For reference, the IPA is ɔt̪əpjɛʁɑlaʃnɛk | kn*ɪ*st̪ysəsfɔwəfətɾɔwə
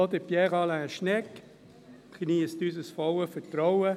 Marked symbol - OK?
no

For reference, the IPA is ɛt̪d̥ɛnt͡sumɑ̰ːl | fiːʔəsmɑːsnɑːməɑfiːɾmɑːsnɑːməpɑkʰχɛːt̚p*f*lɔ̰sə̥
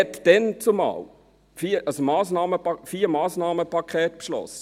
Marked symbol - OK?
no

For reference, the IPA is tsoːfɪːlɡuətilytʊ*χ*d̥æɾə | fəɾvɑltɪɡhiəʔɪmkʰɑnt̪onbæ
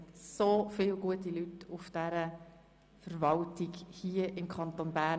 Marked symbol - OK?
no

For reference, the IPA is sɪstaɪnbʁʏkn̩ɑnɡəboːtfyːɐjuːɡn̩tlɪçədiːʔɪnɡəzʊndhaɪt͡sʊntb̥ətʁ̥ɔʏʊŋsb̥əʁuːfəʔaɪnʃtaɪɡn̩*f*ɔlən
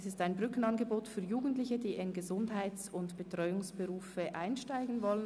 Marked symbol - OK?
no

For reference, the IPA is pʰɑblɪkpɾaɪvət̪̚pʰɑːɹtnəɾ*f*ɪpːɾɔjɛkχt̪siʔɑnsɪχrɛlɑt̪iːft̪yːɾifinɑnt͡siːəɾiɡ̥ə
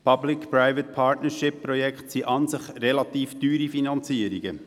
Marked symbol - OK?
no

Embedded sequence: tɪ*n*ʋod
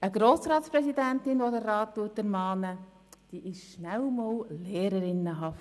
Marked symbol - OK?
yes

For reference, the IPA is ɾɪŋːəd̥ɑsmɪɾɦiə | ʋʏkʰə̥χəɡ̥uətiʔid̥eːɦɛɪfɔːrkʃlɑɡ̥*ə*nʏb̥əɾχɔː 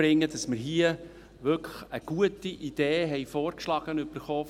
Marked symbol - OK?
yes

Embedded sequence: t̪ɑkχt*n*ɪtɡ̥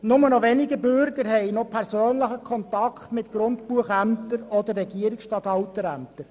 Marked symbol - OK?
no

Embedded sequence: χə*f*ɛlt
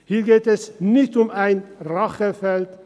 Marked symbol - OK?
yes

